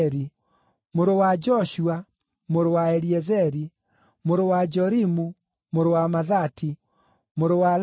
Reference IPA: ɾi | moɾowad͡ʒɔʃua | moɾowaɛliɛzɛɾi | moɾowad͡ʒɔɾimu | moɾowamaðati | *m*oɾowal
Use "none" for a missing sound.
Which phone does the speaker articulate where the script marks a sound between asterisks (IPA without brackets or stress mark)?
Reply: m